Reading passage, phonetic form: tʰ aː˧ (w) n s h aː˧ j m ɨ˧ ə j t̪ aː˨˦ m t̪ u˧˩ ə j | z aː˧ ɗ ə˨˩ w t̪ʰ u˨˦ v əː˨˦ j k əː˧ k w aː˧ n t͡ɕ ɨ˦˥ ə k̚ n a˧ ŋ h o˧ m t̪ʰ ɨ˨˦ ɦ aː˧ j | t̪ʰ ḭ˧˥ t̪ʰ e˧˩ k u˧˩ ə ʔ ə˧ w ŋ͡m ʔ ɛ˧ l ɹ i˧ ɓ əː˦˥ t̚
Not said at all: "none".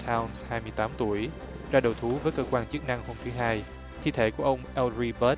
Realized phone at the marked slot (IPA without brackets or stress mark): w